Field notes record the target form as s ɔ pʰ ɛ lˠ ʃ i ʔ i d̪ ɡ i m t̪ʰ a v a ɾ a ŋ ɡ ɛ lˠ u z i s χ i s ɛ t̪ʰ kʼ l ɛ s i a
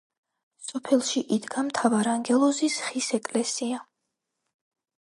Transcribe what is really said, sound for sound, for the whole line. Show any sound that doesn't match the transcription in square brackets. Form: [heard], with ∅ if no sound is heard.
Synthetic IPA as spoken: s ɔ pʰ ɛ lˠ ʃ i ʔ i d̪ ɡ [a] m t̪ʰ a v a ɾ a ŋ ɡ ɛ lˠ [ɔ] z i s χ i s ɛ [∅] kʼ l ɛ s i a